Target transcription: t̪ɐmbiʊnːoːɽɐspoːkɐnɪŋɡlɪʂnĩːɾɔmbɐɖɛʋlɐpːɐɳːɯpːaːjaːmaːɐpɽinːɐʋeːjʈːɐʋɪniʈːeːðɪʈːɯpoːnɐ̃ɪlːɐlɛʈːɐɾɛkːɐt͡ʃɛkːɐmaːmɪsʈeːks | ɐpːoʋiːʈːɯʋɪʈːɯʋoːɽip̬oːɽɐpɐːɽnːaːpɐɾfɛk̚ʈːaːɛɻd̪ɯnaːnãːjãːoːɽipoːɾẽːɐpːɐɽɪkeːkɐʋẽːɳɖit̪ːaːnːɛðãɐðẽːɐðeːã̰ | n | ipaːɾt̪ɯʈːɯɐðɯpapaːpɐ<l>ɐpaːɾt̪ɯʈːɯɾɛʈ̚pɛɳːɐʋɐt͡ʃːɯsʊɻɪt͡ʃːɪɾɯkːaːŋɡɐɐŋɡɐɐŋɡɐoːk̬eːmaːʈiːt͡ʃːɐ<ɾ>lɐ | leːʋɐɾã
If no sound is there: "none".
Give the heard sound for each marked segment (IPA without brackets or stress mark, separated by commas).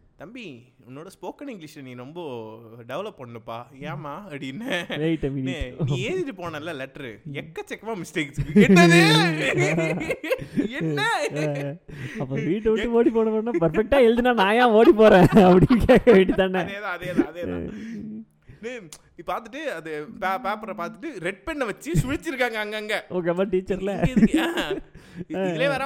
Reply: ɾ, ɾ